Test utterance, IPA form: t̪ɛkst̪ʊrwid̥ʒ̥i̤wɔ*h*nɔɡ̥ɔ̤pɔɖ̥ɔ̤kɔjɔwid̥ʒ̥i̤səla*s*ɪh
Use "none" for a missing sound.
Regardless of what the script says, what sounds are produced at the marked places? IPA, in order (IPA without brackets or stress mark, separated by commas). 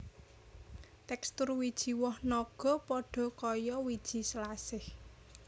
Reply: h, s